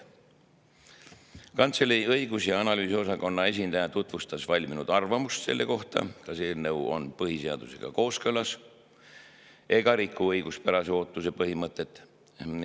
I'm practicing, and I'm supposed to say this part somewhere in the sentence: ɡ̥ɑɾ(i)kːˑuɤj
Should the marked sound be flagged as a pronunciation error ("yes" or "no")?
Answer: no